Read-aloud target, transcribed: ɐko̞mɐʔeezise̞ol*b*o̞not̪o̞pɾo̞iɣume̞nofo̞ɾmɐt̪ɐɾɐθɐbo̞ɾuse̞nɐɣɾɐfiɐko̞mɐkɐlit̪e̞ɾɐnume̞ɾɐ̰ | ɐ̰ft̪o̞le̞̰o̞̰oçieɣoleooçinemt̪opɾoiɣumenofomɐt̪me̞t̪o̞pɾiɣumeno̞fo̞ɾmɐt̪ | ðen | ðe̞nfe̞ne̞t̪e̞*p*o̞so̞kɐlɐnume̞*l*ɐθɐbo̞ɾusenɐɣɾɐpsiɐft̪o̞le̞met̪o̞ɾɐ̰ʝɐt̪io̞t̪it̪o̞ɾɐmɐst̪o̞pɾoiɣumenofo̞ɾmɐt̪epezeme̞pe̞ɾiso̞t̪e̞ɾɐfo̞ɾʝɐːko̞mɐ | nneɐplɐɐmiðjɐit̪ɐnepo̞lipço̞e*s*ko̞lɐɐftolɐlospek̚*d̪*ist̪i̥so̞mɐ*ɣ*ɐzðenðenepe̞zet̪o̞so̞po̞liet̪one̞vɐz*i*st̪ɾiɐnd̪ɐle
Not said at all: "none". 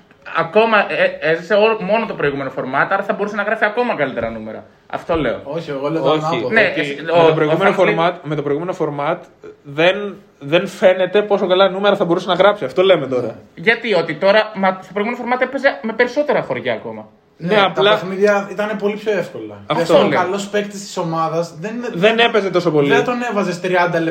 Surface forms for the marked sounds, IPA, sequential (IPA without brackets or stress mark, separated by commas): m, p, ɾ, f, t̪, ð, e